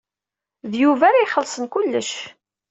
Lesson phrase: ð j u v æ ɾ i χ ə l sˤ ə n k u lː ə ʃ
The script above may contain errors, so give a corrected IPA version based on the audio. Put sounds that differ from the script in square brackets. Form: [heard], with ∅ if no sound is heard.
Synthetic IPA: ð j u v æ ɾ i χ ə l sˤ ə n k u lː ə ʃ